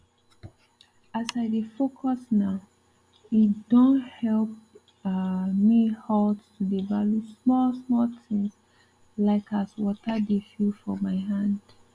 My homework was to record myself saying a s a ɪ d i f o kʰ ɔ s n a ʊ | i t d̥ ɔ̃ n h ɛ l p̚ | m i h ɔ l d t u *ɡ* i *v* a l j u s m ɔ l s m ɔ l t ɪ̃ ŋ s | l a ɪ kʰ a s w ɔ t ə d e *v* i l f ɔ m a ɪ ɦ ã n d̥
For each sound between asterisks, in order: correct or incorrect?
incorrect, correct, incorrect

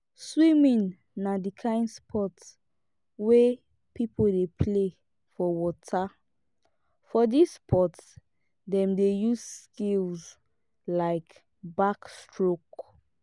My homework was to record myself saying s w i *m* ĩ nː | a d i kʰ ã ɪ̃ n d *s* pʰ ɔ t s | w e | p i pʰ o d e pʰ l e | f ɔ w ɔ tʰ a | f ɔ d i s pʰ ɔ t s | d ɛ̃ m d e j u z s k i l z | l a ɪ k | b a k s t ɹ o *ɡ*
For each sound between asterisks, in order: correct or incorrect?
correct, correct, incorrect

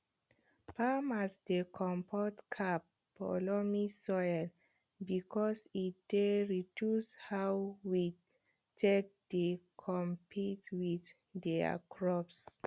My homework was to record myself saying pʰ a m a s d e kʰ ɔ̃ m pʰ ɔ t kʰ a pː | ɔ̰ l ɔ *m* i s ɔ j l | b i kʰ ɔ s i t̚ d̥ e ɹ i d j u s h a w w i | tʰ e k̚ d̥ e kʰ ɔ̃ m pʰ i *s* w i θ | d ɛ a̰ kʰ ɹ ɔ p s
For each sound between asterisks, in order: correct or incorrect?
correct, incorrect

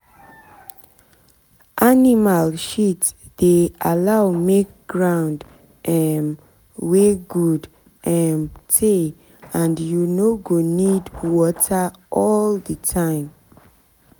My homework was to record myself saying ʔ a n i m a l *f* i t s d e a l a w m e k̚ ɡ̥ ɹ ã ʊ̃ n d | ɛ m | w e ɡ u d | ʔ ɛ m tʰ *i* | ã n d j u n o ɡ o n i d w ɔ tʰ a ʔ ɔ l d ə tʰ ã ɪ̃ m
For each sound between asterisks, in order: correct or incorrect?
incorrect, incorrect

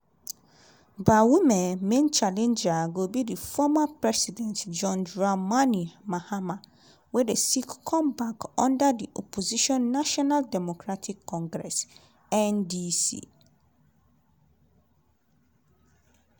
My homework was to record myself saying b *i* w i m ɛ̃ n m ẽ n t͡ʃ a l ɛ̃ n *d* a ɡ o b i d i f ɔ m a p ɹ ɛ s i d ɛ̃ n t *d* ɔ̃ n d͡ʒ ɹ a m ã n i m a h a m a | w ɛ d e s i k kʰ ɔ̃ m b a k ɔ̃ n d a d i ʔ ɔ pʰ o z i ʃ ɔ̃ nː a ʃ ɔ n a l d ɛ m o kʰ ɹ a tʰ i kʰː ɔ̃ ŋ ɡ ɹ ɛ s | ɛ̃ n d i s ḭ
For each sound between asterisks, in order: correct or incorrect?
incorrect, incorrect, incorrect

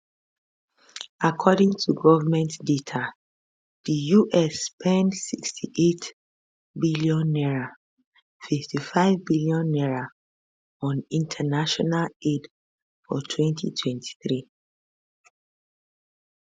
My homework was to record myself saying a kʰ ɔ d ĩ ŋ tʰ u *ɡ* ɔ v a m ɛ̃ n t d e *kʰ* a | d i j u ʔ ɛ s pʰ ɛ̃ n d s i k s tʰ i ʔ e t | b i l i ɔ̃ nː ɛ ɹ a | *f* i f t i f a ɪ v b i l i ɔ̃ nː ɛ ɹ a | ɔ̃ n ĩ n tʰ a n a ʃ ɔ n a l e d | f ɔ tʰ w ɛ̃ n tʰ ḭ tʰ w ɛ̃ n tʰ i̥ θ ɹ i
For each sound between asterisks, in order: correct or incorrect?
correct, incorrect, correct

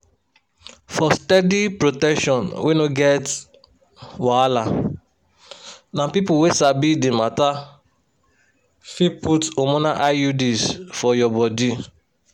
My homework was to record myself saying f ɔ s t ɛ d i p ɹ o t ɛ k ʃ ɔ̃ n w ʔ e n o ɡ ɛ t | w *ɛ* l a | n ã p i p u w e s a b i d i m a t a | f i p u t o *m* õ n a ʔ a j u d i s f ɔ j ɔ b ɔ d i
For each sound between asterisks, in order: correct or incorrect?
incorrect, correct

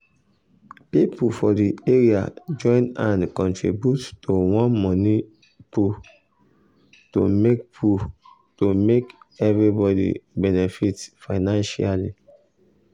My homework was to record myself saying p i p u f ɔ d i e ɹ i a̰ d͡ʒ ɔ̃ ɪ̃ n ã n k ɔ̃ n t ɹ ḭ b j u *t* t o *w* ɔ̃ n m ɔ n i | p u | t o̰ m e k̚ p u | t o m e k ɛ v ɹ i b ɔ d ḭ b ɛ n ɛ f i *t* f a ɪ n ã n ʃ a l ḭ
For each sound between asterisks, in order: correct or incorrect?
correct, correct, correct

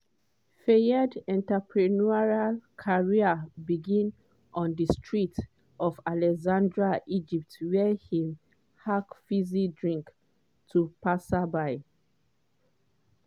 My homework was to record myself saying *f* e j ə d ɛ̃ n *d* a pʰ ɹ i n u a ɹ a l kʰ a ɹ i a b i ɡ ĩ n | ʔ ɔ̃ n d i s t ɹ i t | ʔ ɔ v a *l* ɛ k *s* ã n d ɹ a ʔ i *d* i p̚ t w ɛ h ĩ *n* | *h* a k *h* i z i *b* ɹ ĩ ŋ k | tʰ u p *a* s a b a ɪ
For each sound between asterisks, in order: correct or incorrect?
correct, incorrect, correct, incorrect, incorrect, incorrect, correct, incorrect, incorrect, correct

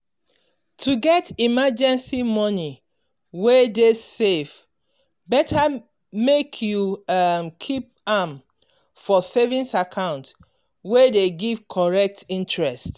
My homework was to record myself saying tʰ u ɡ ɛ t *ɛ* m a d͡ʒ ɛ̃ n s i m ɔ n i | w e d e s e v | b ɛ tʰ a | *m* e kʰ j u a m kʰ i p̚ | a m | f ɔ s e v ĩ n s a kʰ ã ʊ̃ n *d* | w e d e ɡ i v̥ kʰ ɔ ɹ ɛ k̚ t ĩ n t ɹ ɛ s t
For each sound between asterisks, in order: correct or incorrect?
incorrect, correct, incorrect

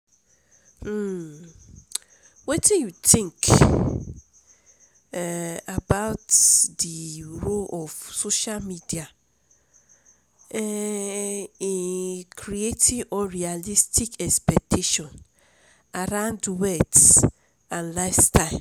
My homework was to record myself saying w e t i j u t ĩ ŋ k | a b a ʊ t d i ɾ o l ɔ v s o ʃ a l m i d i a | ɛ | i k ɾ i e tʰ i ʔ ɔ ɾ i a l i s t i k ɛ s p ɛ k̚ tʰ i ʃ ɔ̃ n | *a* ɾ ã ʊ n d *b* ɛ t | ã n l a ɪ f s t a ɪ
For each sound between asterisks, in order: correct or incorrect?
correct, incorrect

